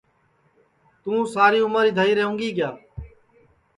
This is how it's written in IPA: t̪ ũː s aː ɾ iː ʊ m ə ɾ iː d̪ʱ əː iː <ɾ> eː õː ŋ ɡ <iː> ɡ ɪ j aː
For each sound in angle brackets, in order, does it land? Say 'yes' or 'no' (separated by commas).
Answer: yes, yes